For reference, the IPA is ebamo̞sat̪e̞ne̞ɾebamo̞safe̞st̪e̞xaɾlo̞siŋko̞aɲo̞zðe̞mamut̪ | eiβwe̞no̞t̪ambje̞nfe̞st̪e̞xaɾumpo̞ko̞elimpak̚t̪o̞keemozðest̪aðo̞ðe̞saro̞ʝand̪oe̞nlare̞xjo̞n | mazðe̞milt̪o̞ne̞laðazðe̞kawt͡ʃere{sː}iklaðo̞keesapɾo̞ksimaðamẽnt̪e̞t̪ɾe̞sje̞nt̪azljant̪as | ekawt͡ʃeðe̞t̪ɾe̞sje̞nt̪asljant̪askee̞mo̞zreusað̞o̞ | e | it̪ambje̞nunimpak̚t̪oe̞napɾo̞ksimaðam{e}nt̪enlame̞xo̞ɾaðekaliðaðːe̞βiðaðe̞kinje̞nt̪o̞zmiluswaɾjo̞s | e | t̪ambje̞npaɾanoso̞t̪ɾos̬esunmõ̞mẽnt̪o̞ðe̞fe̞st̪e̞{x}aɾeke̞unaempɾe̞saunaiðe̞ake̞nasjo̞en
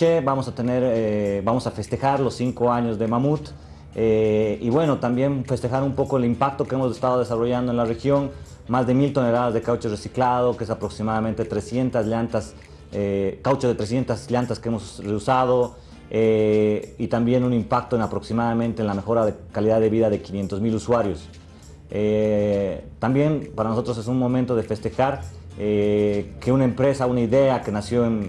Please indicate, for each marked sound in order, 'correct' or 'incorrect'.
incorrect: s, incorrect: ẽ, correct

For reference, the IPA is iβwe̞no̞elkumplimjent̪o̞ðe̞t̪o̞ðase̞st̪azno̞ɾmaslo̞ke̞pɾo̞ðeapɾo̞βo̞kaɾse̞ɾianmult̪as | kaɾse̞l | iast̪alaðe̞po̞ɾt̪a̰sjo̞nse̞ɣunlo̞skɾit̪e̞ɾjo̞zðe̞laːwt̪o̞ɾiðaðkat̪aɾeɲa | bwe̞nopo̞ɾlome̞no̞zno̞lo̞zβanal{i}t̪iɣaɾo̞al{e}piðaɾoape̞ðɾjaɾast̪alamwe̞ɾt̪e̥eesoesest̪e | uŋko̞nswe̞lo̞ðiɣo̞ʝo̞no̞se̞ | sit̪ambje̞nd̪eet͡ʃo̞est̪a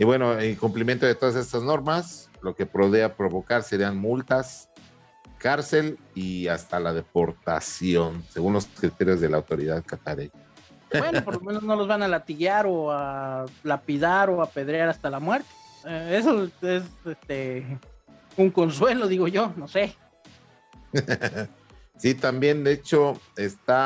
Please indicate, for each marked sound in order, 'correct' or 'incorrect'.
incorrect: a, incorrect: a

